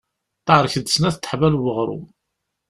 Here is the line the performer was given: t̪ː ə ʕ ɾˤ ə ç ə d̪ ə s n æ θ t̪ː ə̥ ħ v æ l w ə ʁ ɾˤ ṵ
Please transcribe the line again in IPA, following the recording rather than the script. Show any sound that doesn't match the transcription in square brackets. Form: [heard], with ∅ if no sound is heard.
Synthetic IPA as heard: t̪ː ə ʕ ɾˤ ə ç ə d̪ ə s n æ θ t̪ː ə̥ ħ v æ l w ə ʁ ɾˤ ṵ